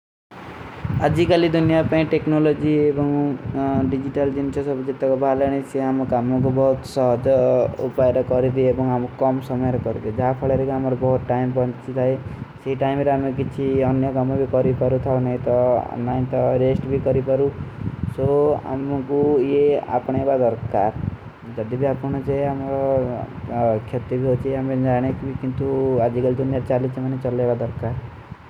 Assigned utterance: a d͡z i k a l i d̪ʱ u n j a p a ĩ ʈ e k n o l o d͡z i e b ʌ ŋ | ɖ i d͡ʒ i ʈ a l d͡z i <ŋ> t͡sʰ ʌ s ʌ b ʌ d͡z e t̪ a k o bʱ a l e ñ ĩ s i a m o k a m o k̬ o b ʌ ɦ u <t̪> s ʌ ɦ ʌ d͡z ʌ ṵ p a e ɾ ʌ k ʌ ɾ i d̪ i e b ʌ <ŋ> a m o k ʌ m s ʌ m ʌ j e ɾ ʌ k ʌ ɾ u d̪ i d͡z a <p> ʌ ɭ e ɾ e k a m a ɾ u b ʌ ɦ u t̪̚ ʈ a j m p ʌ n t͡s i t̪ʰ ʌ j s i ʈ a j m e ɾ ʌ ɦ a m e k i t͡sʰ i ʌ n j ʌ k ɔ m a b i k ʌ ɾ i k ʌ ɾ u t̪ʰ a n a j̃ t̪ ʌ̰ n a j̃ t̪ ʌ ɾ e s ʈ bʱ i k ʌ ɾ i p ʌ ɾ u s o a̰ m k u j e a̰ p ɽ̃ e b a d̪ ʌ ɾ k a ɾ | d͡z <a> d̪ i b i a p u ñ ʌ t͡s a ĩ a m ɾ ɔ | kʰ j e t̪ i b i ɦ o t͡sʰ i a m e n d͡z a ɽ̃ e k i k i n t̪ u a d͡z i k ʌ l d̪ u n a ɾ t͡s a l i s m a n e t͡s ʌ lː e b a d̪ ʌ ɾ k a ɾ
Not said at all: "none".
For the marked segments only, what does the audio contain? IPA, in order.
n, t̪, ŋ, pʰ, ʌ

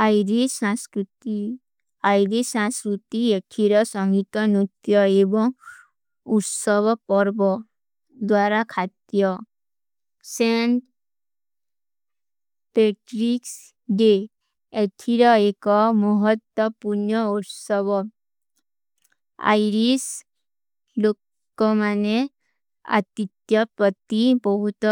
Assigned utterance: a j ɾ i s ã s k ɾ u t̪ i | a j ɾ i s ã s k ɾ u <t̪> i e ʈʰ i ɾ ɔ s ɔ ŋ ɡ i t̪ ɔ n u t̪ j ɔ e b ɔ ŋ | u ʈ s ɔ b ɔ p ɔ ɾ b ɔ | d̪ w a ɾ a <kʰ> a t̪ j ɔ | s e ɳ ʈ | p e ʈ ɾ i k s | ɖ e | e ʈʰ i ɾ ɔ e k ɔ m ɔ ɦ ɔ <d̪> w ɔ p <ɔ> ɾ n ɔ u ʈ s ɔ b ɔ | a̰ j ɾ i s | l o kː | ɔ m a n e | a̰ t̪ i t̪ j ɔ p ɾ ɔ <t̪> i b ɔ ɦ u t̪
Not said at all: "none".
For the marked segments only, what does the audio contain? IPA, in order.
t̪, kʰ, t̪, u, t̪

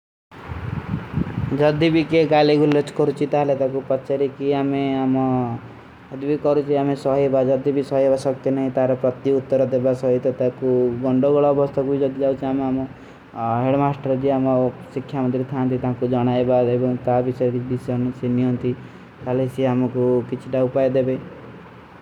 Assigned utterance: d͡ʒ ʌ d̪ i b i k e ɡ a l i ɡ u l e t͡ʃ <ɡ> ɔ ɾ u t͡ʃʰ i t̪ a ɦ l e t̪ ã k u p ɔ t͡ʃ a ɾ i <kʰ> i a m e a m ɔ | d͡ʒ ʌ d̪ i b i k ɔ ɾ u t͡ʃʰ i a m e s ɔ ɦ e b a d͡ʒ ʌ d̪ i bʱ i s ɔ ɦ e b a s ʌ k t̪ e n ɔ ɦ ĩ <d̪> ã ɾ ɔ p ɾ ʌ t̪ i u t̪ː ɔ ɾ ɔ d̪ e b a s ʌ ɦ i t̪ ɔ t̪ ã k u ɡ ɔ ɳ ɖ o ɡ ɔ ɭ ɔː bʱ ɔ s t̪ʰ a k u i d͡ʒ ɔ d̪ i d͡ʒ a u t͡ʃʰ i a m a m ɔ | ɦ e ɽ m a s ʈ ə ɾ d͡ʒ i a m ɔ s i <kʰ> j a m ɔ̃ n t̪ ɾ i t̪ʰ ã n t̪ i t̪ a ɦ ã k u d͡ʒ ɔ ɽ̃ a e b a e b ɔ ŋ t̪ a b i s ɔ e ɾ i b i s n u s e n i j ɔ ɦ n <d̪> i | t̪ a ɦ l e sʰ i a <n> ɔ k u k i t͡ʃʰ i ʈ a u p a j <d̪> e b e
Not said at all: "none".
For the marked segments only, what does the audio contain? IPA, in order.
k, k, t̪, kʰ, t̪, m, d̪

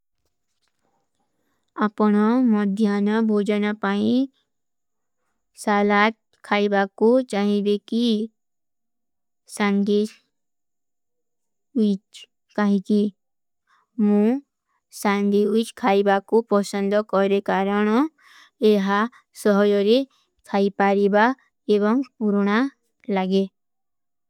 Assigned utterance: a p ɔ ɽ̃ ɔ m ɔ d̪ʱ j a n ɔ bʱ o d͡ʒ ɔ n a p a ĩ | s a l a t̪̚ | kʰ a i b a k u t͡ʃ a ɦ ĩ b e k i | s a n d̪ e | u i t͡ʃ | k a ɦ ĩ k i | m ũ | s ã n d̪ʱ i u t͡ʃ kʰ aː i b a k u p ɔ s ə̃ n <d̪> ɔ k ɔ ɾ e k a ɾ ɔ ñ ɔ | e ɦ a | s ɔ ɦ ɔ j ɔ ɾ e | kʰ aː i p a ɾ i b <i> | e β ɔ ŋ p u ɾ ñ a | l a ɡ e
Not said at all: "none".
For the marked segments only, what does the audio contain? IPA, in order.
d̪, a

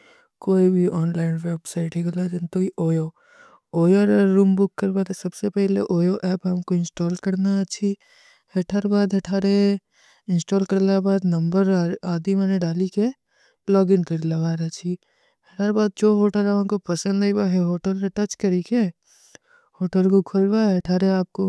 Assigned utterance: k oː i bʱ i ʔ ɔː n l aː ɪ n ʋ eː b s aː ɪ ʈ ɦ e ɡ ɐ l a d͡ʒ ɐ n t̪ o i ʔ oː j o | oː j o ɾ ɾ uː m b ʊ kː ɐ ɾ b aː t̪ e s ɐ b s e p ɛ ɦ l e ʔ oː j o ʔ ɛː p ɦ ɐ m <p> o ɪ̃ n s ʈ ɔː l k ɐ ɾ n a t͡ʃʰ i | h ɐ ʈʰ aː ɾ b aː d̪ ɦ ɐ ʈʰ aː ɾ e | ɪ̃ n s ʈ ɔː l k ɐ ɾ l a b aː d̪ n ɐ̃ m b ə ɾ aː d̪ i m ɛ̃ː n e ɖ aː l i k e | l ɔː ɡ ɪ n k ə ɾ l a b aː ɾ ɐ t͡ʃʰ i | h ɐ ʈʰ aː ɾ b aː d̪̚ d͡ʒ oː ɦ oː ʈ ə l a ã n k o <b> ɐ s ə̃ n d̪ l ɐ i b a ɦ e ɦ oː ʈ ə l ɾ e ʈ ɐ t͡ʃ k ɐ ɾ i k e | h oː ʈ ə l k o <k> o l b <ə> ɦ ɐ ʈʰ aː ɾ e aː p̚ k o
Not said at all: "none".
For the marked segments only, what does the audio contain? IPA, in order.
k, p, kʰ, a

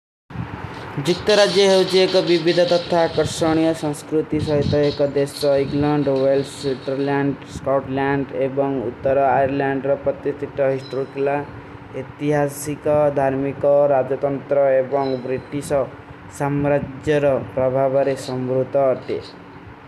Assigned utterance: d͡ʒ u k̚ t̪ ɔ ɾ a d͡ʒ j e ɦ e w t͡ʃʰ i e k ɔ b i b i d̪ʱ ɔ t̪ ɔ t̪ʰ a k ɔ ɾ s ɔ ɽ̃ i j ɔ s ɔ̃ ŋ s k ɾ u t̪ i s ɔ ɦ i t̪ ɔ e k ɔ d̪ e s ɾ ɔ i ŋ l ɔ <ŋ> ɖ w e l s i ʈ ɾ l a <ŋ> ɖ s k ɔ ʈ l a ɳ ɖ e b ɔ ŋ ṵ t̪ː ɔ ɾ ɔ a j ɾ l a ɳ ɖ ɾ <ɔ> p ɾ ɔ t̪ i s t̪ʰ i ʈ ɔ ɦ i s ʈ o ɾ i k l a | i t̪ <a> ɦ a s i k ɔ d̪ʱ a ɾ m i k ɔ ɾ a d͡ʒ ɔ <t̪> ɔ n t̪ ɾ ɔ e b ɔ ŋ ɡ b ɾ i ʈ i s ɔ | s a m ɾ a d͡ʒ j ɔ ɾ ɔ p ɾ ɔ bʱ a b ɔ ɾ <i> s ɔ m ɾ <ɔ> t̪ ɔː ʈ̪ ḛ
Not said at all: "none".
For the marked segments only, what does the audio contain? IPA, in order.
ɳ, ɳ, ɔ, i, t̪, e, u

